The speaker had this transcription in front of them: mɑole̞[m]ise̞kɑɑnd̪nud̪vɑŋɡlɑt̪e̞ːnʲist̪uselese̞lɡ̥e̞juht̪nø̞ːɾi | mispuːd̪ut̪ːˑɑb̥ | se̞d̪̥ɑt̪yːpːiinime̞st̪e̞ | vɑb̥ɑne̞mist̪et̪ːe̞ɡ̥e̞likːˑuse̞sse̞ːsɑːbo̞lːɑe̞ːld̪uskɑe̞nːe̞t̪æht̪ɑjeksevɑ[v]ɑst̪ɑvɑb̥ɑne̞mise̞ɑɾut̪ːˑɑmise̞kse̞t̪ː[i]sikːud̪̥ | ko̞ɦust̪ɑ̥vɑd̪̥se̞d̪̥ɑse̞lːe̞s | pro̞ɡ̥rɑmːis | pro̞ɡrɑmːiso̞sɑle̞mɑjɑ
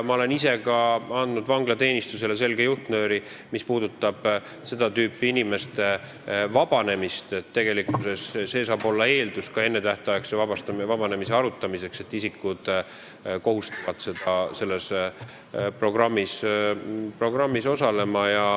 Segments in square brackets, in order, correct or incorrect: incorrect: n, incorrect: b, correct

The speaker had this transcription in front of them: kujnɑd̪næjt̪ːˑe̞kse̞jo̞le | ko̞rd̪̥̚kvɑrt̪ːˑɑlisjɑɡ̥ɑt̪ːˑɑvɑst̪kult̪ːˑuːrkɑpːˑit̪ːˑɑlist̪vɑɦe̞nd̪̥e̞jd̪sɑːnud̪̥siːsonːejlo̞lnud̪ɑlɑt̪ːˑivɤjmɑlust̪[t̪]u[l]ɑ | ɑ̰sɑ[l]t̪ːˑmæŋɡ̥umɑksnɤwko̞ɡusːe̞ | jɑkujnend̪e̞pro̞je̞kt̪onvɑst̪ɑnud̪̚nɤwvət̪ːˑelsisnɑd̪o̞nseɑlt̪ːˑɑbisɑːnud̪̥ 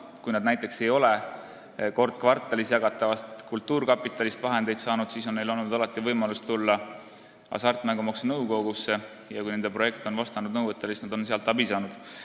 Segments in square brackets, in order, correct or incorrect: correct, incorrect: lː, incorrect: r

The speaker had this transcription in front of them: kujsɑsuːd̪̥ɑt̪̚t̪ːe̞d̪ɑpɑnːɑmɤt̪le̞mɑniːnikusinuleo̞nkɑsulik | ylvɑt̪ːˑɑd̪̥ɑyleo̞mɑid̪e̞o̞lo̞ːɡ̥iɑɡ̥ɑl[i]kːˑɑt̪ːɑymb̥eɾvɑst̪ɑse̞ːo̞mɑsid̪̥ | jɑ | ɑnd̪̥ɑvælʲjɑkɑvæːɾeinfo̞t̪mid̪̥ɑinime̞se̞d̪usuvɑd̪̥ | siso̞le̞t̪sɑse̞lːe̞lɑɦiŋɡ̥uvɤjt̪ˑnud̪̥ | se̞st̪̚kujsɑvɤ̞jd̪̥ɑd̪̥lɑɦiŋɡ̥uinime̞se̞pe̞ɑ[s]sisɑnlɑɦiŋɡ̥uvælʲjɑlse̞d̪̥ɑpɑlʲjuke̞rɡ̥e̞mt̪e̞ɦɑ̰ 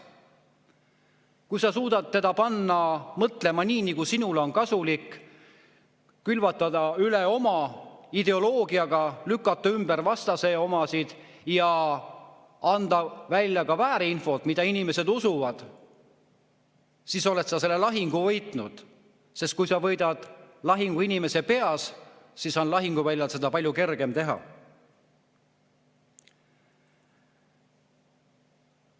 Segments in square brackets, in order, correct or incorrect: incorrect: y, correct

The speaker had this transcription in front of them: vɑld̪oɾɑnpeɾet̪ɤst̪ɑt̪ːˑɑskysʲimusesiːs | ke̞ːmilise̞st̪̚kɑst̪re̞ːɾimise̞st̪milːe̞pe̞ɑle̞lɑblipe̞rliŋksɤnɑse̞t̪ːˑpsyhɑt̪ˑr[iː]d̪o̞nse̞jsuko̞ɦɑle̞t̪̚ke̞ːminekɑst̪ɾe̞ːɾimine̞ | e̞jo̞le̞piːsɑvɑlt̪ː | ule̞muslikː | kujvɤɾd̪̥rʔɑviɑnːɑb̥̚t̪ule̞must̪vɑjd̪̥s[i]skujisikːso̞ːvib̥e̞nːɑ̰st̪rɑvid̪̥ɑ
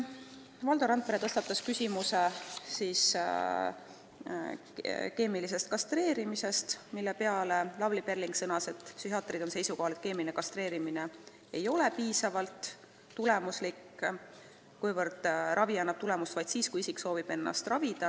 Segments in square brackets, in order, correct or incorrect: incorrect: i, incorrect: iː

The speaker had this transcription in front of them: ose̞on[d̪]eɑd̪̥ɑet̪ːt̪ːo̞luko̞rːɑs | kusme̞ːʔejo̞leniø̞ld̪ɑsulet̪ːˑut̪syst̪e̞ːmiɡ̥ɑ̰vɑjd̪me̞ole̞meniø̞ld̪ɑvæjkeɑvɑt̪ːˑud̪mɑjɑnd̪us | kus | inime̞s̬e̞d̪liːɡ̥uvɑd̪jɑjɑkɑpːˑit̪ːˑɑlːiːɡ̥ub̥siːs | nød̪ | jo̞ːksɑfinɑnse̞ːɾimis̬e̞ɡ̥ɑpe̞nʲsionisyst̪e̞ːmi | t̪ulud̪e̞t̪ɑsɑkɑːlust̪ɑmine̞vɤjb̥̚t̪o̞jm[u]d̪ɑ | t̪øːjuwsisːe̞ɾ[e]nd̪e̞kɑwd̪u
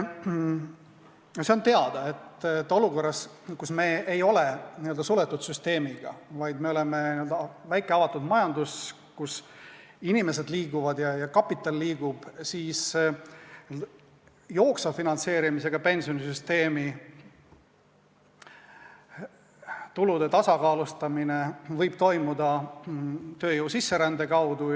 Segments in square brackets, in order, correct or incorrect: incorrect: t̪, correct, incorrect: æ

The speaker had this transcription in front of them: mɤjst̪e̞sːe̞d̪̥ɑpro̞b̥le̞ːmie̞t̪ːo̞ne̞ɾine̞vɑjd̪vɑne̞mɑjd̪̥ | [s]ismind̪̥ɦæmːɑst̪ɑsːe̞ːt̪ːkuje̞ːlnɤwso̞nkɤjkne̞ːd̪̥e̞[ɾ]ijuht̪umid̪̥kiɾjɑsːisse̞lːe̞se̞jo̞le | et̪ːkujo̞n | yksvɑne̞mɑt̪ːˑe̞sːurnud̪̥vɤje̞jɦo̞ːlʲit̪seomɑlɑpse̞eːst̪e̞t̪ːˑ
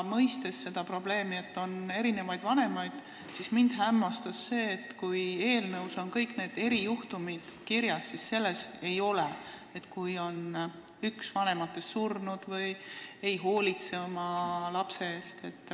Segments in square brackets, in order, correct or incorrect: correct, correct

